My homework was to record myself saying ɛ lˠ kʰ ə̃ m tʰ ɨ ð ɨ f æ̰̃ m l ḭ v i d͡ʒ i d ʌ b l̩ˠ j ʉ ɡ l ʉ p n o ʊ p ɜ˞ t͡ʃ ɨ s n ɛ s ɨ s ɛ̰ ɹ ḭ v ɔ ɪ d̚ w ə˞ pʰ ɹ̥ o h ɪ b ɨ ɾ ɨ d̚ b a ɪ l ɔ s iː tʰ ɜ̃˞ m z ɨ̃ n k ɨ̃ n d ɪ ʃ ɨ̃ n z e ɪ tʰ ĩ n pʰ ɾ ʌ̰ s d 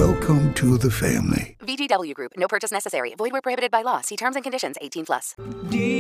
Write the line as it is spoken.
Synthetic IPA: ɛ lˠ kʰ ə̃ m tʰ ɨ ð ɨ f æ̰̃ m l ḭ v i d͡ʒ i d ʌ b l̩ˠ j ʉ ɡ ɹ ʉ p n o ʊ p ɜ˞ t͡ʃ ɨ s n ɛ s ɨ s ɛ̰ ɹ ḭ v ɔ ɪ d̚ w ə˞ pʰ ɹ̥ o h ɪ b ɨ ɾ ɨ d̚ b a ɪ l ɔ s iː tʰ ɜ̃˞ m z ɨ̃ n k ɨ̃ n d ɪ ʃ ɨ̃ n z e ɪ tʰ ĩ n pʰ l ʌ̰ s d